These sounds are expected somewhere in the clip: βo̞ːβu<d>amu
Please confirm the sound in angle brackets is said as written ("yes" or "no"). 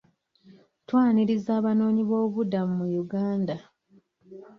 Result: yes